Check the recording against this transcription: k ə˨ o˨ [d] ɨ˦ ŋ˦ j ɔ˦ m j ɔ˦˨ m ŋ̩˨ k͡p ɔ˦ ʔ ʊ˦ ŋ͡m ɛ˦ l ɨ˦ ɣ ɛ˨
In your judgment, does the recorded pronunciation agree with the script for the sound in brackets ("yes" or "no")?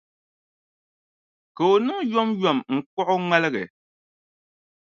no